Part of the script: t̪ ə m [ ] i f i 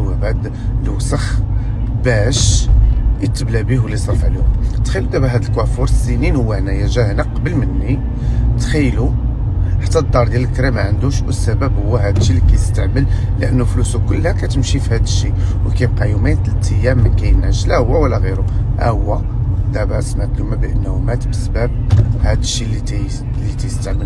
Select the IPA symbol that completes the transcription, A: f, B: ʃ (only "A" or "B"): B